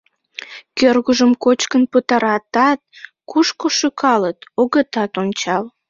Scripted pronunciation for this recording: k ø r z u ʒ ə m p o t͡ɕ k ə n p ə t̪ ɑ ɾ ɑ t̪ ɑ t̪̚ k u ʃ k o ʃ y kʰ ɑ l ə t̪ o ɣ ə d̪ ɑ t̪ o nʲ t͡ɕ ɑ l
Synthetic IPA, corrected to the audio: k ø r ɣ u ʒ ə m k o t͡ɕ k ə n p ə t̪ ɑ ɾ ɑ t̪ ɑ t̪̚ k u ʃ k o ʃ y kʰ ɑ l ə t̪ o ɣ ə t̪ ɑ t̪ o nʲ t͡ɕ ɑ l